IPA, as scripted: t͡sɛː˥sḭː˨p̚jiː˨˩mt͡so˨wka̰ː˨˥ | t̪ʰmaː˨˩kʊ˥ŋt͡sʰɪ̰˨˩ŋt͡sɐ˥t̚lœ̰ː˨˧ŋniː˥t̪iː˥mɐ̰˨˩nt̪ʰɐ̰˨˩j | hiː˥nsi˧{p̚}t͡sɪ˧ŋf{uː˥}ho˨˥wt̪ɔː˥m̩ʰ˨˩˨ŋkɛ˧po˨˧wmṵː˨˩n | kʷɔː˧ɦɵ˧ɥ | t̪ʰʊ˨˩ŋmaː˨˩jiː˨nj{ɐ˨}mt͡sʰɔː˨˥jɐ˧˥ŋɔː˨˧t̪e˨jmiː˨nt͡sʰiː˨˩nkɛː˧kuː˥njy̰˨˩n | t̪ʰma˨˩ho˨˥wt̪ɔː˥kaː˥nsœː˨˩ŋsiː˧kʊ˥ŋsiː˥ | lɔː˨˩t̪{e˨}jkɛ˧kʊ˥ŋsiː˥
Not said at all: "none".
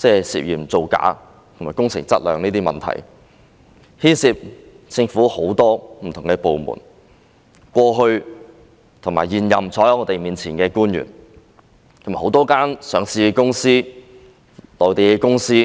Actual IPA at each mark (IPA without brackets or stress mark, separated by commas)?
p̚, uː˨˥, ɐ˨, e˨